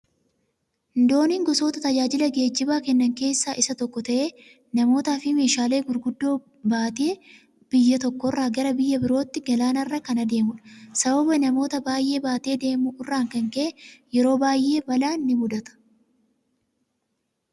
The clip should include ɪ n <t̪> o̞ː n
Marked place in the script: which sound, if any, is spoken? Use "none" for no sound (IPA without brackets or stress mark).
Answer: d̪